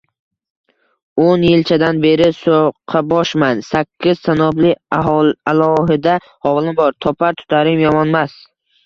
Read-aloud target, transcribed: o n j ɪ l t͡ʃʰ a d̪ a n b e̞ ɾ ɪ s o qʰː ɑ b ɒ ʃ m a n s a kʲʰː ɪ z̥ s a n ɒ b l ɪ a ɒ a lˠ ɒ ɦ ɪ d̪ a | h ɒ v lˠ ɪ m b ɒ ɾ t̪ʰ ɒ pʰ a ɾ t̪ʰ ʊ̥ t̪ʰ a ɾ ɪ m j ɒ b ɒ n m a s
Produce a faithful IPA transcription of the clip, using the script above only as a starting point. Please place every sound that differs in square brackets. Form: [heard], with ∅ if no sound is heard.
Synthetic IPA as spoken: o n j ɪ l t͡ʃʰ a d̪ a n b e̞ ɾ ɪ s o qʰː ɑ b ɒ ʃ m a n s a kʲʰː ɪ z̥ s a n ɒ b l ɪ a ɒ a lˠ ɒ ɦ ɪ d̪ a | h ɒ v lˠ ɪ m b ɒ ɾ t̪ʰ ɒ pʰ a ɾ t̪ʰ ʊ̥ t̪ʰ a ɾ ɪ m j ɒ [m] ɒ n m a s